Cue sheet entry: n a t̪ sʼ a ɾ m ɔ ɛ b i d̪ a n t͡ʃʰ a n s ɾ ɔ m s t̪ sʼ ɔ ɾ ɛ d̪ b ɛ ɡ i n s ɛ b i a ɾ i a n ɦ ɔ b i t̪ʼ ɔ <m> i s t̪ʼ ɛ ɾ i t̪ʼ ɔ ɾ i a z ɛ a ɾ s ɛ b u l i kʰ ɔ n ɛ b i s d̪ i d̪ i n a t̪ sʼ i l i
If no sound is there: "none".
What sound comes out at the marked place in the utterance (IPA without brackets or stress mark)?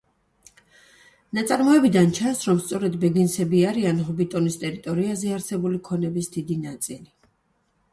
n